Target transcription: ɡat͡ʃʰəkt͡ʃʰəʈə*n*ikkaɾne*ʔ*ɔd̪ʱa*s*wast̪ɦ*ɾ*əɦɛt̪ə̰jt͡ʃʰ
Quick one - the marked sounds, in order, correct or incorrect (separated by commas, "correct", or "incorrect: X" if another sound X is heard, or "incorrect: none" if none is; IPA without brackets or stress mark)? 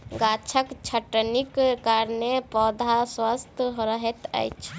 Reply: correct, incorrect: p, correct, correct